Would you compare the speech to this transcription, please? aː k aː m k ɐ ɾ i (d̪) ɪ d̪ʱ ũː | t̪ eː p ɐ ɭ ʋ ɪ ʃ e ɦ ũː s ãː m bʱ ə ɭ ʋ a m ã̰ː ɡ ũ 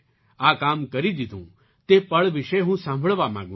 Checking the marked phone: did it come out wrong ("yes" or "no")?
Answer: no